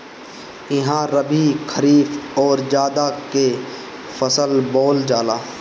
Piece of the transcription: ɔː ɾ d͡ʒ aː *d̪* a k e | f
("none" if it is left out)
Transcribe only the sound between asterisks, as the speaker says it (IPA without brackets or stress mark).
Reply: d̪